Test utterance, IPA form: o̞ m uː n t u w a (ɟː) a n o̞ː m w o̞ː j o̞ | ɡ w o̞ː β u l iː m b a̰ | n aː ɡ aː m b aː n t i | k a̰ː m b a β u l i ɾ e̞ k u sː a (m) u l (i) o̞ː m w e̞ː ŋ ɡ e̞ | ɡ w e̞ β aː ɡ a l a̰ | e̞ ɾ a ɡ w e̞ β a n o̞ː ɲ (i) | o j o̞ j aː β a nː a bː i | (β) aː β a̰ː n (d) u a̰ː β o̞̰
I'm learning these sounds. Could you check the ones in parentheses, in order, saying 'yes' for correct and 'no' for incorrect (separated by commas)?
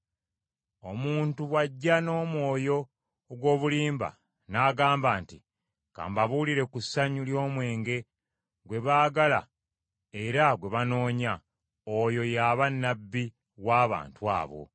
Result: yes, no, no, no, no, no